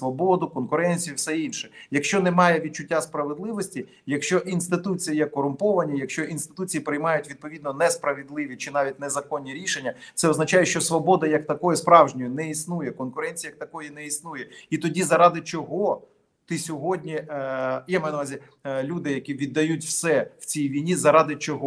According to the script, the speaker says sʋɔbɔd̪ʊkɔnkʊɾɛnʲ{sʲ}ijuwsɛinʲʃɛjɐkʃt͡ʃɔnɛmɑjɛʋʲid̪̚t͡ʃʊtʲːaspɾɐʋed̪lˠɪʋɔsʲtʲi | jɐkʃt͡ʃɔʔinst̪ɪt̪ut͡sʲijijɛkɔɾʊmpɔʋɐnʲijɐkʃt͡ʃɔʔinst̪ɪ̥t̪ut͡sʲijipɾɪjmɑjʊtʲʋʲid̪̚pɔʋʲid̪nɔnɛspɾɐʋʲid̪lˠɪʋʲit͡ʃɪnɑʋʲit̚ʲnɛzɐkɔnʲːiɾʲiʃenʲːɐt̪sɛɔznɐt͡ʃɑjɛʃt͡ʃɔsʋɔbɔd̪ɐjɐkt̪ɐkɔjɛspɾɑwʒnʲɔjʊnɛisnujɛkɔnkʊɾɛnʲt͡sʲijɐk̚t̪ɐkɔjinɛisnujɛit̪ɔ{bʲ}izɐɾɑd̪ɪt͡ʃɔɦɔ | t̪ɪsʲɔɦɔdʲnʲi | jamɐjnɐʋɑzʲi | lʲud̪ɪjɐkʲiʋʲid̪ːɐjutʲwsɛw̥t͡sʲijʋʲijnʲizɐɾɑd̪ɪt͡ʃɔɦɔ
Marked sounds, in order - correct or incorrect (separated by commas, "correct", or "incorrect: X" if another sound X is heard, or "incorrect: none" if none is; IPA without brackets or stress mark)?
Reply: incorrect: t͡sʲ, incorrect: dʲ